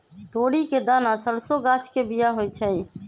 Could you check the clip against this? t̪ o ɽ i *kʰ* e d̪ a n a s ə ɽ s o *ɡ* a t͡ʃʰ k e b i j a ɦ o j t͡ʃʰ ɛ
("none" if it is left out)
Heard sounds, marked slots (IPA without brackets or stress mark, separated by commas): k, ɡ